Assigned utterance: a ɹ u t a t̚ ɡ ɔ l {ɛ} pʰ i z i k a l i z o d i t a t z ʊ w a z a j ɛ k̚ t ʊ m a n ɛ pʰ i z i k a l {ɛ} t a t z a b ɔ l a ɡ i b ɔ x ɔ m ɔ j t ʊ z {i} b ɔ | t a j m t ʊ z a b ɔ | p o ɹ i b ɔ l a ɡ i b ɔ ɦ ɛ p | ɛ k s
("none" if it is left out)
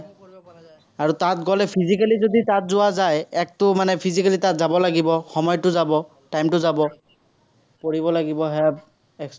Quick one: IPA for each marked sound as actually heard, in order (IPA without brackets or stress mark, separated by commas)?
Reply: ɛ, i, a